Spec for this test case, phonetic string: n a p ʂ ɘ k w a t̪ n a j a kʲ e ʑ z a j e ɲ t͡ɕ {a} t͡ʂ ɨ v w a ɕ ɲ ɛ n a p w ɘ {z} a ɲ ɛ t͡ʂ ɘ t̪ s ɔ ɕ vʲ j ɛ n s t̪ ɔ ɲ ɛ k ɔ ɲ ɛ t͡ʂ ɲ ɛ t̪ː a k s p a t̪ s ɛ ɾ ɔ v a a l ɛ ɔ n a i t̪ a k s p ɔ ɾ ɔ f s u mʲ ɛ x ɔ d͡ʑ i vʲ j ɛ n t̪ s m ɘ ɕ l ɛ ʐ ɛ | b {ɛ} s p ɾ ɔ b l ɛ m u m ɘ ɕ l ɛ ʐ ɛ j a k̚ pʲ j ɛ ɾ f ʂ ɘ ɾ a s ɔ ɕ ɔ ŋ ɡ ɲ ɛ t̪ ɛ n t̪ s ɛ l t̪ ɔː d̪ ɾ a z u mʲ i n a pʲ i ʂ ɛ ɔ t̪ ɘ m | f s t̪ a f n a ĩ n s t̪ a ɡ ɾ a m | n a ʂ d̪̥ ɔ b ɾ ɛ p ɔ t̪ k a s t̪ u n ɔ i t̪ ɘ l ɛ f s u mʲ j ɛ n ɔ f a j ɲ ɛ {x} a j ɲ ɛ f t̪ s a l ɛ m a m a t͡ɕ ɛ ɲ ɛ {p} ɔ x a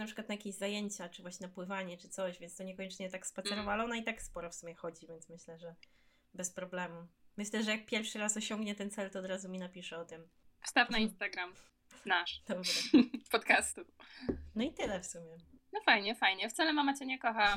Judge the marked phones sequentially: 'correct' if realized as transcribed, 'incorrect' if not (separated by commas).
correct, incorrect, correct, incorrect, incorrect